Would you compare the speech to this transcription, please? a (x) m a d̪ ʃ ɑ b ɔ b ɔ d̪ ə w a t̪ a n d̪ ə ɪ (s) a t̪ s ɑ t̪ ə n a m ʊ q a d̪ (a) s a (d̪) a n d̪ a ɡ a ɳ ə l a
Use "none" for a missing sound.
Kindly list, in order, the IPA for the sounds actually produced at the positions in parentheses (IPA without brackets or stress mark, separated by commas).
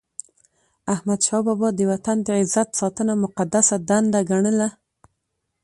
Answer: h, z, a, d̪